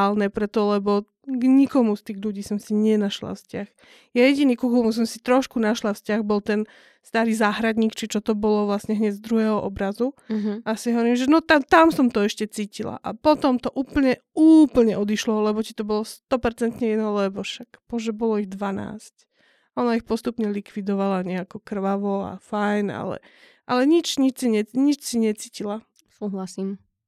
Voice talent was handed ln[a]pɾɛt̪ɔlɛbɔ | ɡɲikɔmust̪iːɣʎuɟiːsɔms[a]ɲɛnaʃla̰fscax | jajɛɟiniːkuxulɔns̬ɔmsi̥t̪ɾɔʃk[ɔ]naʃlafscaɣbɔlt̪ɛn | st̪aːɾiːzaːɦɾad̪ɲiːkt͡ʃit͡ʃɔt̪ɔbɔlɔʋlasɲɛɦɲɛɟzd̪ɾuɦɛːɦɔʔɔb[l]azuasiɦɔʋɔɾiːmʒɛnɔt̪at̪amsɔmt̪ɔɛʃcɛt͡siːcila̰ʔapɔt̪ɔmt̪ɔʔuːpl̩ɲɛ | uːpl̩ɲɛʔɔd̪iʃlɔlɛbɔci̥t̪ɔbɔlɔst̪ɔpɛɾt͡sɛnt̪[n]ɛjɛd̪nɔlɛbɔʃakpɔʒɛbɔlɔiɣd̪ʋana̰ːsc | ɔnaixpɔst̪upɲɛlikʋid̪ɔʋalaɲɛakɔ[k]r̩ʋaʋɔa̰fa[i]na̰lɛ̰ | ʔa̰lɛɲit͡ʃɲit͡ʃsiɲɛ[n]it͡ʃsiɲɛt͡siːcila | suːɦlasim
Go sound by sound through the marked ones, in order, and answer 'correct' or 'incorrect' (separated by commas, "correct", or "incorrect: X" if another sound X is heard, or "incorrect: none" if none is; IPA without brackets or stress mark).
incorrect: ɛ, incorrect: i, incorrect: u, incorrect: ɾ, incorrect: ɲ, correct, incorrect: j, incorrect: ɲ